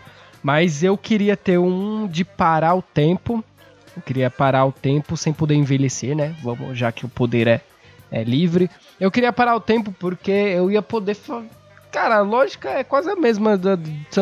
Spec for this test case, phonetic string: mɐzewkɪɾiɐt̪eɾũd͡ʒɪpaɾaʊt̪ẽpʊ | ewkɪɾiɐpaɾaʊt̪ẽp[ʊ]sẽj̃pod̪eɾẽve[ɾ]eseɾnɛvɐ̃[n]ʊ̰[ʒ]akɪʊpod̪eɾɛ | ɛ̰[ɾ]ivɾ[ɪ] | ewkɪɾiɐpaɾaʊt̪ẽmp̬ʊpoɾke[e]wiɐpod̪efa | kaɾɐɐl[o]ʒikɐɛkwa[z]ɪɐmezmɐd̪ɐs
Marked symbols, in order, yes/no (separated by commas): yes, no, no, yes, no, yes, yes, no, yes